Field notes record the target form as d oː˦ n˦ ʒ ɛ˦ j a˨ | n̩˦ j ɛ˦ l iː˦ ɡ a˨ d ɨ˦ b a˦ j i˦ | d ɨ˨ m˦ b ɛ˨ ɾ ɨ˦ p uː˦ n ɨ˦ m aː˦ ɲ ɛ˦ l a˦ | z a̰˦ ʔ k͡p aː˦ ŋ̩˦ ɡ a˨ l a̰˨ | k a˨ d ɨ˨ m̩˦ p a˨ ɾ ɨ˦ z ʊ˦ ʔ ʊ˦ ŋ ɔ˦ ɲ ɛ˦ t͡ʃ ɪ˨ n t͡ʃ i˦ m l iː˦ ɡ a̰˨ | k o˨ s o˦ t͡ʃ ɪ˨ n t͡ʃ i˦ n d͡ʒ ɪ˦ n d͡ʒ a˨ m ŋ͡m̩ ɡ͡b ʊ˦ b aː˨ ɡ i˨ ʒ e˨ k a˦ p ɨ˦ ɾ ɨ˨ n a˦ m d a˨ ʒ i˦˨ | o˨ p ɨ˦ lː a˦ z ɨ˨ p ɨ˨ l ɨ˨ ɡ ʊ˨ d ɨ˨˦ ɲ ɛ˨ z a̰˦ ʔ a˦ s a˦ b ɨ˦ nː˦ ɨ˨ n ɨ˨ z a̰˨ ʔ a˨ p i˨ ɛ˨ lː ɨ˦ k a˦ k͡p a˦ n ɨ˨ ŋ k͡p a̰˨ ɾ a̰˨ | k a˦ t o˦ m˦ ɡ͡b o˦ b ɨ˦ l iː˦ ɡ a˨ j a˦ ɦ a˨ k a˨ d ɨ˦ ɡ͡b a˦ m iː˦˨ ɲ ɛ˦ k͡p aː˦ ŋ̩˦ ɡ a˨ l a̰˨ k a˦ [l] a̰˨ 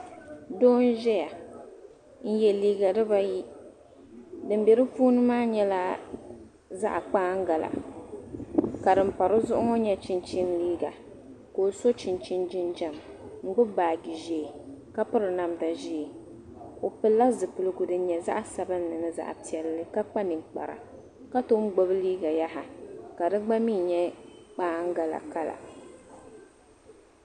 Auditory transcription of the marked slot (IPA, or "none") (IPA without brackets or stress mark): l